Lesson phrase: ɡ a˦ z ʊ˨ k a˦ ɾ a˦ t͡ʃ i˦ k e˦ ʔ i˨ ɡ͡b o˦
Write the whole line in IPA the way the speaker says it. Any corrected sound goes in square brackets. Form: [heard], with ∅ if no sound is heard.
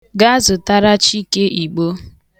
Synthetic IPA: ɡ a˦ z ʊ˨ [t] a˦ ɾ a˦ t͡ʃ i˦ k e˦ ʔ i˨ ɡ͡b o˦

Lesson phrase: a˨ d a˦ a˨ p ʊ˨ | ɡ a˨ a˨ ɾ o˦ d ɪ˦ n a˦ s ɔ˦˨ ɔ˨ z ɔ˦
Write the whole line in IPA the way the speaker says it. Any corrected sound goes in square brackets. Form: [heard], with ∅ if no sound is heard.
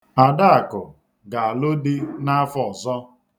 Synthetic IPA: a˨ d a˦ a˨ [k] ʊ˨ | ɡ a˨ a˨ [l] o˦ d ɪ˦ n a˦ [f] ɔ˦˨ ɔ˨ z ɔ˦

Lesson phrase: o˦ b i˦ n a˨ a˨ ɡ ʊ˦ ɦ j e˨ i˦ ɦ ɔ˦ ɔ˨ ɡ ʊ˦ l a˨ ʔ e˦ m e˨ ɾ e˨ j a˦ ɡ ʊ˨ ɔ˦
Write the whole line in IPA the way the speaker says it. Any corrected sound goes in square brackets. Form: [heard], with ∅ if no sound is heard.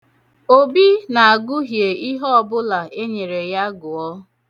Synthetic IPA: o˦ b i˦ n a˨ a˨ ɡ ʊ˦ ɦ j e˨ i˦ ɦ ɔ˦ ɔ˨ [b] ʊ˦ l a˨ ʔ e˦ [ɲ] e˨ ɾ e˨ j a˦ ɡ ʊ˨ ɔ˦

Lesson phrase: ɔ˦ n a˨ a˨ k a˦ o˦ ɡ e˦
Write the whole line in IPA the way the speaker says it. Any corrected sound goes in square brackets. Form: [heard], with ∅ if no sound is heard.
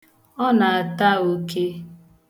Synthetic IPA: ɔ˦ n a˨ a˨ [t] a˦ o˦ [k] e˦

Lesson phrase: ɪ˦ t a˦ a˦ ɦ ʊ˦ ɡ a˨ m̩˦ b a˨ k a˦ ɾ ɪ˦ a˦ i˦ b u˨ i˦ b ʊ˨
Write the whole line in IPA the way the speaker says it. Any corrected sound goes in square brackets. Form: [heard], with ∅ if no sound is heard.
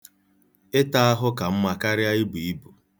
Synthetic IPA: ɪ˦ t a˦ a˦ ɦ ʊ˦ [k] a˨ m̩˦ [m] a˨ k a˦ ɾ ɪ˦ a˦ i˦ b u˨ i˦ b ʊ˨

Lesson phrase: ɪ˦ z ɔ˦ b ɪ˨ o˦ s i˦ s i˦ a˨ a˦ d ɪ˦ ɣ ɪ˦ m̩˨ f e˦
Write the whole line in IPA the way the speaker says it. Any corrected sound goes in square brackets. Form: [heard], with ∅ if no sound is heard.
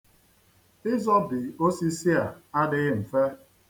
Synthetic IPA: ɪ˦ z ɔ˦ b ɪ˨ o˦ s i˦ s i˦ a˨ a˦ d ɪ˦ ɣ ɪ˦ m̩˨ f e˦

